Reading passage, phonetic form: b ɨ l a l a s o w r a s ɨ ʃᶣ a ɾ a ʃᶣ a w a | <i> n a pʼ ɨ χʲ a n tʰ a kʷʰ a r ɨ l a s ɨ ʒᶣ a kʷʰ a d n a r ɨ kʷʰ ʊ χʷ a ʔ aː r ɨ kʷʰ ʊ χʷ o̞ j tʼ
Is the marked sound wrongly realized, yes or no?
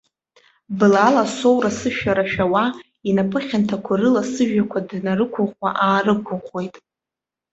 no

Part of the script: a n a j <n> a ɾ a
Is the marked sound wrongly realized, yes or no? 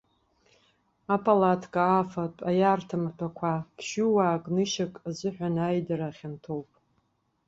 yes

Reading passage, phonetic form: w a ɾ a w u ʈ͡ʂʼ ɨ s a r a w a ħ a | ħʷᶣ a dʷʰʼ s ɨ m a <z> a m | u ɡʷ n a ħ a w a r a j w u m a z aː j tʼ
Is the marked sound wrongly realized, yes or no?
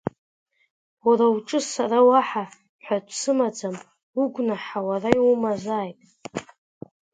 yes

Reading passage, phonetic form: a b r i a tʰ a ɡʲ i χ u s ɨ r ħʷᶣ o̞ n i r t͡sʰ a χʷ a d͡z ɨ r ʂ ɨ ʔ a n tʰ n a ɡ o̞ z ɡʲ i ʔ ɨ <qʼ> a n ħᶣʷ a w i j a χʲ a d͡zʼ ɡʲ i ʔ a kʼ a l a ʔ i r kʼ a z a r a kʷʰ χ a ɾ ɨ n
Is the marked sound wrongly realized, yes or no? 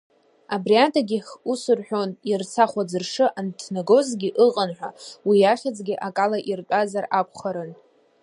no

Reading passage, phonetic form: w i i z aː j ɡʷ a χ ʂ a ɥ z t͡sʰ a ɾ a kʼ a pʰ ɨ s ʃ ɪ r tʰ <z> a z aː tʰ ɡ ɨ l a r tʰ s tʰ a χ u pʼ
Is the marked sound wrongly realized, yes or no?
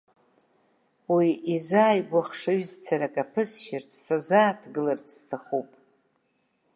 yes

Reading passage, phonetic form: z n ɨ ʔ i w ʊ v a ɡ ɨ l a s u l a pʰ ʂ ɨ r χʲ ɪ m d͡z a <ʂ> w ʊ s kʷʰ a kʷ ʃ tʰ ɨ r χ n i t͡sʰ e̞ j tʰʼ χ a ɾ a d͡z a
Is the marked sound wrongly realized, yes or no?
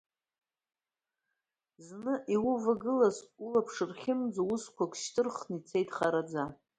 yes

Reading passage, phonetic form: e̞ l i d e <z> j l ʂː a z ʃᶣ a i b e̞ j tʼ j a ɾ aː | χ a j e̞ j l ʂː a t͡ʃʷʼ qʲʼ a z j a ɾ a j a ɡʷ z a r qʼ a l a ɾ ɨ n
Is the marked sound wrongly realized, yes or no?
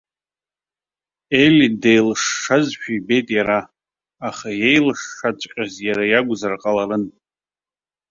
yes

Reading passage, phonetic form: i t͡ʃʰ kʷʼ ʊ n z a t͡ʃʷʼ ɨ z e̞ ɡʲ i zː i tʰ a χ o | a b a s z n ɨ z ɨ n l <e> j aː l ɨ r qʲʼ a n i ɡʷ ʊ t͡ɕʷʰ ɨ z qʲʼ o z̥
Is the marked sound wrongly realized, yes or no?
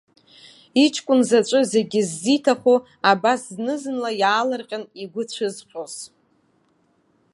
yes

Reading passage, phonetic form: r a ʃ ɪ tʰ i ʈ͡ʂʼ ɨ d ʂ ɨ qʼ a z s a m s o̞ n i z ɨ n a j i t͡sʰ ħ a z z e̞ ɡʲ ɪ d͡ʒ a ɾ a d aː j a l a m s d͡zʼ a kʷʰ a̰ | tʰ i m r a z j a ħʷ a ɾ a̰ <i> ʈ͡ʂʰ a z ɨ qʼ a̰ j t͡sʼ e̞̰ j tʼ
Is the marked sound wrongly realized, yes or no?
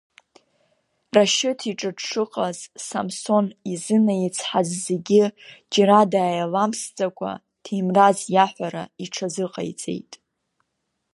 no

